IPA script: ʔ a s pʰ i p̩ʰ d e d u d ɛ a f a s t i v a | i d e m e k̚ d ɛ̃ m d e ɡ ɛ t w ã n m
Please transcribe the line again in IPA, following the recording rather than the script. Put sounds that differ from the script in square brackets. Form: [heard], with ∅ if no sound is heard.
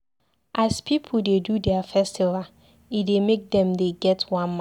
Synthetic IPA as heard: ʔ a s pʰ i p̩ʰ d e d u d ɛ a f [ɛ] s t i v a | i d e m e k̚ d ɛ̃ m d e ɡ ɛ t w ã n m